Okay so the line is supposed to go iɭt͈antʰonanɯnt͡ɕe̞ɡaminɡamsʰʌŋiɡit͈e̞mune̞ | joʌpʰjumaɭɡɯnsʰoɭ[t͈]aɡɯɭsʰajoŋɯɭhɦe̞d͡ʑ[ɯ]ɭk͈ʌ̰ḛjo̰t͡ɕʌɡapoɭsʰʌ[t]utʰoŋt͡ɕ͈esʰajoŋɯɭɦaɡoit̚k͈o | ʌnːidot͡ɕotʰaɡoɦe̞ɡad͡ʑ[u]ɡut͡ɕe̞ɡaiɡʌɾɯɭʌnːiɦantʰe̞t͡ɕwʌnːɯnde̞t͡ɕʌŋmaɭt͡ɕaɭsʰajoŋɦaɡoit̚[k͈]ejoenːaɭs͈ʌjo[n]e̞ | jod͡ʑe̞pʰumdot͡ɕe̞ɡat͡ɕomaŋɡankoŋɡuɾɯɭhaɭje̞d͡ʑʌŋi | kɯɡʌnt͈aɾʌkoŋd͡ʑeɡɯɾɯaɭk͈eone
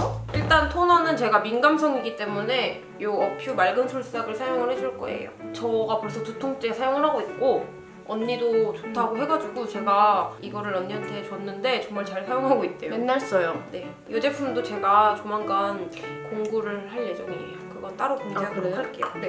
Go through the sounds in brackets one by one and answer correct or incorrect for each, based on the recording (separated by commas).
incorrect, incorrect, correct, correct, incorrect, correct